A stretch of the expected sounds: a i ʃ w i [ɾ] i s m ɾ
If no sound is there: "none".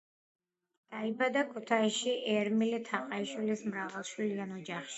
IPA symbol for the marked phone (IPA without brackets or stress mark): l